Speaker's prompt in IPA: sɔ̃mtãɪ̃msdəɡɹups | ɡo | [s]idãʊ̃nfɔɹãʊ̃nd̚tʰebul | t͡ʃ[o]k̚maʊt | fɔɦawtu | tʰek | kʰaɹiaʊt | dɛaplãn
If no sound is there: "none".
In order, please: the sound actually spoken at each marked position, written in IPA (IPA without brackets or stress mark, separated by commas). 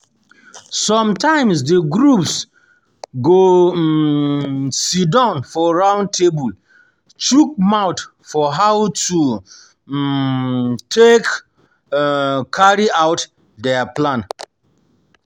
s, u